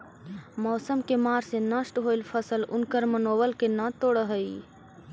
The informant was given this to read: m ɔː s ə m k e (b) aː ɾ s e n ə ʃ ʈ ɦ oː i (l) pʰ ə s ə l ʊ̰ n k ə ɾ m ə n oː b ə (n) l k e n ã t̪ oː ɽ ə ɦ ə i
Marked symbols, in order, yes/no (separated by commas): no, yes, no